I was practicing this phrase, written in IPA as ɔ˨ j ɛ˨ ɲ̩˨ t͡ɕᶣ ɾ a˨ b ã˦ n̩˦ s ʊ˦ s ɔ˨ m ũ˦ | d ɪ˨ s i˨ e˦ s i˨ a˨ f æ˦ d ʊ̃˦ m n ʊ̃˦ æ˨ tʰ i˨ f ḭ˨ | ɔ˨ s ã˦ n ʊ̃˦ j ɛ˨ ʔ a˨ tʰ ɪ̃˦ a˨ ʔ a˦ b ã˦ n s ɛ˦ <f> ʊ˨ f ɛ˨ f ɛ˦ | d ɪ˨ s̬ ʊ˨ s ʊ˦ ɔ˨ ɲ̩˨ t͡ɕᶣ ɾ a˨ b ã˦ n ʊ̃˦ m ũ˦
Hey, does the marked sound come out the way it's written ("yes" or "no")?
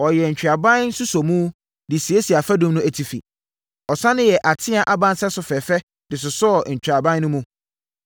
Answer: no